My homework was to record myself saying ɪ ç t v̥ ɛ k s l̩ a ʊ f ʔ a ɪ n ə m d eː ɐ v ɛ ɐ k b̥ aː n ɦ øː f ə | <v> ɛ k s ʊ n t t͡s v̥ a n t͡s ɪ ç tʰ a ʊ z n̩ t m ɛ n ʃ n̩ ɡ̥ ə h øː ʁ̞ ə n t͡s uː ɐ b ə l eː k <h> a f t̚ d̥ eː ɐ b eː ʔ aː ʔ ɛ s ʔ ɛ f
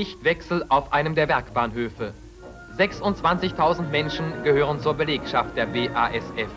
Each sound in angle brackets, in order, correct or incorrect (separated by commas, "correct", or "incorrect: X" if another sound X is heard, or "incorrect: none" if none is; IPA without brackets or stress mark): incorrect: z, incorrect: ʃ